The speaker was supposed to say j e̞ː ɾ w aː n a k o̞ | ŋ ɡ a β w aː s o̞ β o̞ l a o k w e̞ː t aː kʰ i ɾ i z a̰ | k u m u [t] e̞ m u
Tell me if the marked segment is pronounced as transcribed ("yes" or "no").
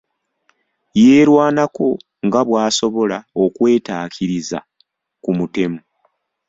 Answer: yes